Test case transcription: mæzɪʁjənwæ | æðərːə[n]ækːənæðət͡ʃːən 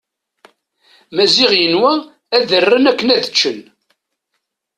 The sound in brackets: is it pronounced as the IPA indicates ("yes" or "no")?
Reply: yes